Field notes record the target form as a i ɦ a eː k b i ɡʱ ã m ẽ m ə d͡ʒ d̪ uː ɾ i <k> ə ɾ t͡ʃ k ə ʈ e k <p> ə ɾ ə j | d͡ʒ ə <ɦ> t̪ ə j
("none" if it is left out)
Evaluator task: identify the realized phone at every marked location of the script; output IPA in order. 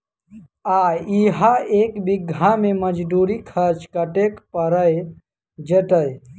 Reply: kʰ, p, none

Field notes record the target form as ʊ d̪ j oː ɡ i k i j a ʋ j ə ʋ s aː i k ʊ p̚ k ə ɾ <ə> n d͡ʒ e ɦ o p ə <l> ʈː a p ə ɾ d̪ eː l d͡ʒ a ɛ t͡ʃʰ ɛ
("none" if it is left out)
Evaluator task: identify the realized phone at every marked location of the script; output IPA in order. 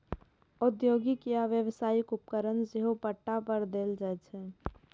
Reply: ə, none

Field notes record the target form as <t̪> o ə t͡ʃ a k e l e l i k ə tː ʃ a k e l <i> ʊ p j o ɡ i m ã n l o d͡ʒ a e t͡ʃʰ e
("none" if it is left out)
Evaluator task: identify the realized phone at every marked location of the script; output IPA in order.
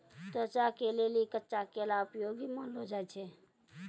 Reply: t̪, a

